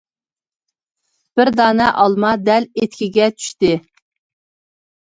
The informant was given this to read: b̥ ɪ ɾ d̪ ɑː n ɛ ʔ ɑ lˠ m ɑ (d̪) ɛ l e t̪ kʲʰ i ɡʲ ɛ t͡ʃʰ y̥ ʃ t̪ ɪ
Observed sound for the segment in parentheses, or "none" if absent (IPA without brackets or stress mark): d̪